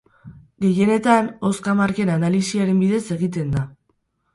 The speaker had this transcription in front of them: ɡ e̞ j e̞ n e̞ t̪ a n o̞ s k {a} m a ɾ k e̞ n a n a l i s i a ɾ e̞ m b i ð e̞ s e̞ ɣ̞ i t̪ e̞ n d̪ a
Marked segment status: correct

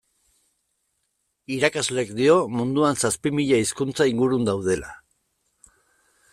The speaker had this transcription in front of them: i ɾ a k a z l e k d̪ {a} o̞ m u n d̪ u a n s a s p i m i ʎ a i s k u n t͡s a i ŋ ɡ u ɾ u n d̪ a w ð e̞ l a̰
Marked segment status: incorrect: i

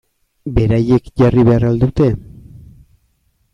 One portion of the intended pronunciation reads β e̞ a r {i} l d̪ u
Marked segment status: incorrect: a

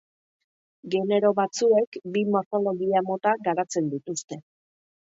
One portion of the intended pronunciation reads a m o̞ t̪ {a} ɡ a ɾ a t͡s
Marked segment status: correct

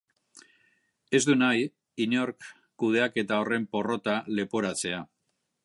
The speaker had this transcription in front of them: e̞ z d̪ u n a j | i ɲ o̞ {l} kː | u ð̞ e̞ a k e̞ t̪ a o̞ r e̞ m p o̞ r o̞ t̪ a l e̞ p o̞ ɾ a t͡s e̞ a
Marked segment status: incorrect: ɾ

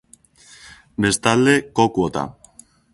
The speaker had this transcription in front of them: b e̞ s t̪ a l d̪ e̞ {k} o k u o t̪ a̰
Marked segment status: correct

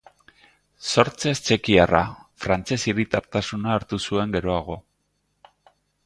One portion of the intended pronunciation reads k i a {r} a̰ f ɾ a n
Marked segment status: correct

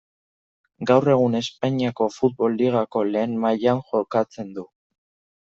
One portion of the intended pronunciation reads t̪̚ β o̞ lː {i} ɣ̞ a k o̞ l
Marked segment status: correct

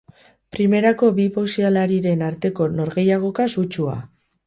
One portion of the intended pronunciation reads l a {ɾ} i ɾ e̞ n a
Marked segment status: correct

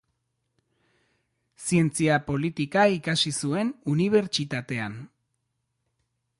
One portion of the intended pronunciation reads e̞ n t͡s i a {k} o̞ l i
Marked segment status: incorrect: p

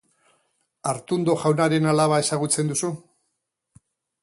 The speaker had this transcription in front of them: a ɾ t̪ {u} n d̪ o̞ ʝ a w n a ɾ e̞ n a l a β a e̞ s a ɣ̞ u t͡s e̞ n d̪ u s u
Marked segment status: correct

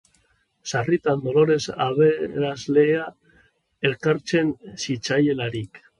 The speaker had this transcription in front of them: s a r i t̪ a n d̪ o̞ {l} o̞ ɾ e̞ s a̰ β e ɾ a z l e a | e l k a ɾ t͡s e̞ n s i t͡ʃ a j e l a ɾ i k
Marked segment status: correct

